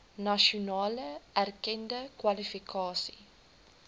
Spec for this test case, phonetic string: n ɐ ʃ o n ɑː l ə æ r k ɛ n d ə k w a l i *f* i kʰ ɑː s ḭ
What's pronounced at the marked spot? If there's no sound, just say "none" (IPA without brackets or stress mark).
f